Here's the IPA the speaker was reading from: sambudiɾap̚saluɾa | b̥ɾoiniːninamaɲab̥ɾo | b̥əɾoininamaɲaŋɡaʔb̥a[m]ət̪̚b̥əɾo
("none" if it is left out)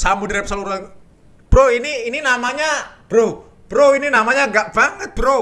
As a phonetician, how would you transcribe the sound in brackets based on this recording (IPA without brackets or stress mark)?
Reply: ŋ